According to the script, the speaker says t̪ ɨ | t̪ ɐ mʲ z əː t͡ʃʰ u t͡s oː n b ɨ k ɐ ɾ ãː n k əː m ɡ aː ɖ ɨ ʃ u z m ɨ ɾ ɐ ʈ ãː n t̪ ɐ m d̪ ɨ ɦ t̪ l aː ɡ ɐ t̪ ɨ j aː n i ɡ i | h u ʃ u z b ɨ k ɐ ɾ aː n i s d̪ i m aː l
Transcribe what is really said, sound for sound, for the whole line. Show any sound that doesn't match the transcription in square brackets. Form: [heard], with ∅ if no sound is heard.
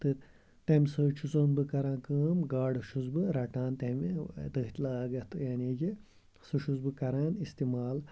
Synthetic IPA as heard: t̪ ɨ | t̪ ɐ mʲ [s] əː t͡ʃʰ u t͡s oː n b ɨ k ɐ ɾ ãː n k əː m ɡ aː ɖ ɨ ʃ u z [b] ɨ ɾ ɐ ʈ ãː n t̪ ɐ m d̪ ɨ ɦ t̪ l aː ɡ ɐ t̪ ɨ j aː n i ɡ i | [s] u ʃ u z b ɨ k ɐ ɾ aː n i s [t̪] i m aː l